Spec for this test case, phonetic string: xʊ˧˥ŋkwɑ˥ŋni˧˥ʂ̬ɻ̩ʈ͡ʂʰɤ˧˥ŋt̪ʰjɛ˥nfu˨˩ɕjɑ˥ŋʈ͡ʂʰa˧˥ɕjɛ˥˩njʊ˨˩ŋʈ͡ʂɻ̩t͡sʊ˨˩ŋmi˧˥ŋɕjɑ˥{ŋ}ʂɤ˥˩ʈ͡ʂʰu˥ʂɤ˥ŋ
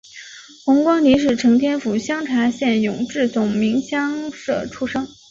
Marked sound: correct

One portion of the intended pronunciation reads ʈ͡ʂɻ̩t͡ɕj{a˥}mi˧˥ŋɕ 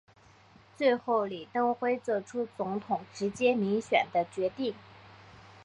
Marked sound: incorrect: ɛ˥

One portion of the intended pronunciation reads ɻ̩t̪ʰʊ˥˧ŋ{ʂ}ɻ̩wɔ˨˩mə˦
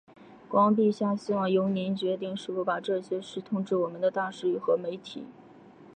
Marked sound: incorrect: ʈ͡ʂ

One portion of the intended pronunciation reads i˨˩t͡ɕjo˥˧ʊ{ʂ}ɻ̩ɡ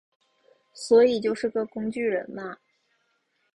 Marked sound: correct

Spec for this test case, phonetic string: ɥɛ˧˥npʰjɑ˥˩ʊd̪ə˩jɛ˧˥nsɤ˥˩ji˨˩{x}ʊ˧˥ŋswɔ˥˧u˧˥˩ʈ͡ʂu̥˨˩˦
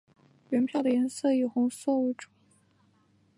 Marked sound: correct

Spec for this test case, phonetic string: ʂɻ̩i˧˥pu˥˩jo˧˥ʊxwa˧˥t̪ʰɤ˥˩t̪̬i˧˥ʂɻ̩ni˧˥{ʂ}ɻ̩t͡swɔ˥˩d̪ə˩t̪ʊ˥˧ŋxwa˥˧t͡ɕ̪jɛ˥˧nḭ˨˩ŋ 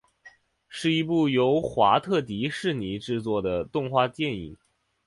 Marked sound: incorrect: ʈ͡ʂ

